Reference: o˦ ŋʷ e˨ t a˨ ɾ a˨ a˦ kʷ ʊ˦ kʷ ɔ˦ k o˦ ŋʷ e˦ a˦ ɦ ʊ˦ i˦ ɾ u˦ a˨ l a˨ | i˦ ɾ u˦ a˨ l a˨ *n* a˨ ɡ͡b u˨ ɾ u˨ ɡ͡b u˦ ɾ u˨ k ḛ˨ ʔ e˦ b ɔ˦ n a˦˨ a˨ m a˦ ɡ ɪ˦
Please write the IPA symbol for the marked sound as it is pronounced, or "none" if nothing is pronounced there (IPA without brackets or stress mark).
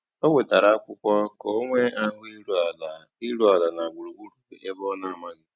n